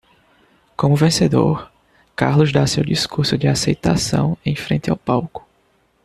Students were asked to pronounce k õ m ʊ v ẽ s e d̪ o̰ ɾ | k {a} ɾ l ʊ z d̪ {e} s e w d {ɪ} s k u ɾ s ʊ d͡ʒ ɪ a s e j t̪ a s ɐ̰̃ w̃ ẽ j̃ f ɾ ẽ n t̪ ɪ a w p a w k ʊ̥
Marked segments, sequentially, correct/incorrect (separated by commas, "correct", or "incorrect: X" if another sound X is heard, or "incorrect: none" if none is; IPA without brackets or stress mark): correct, incorrect: a, incorrect: i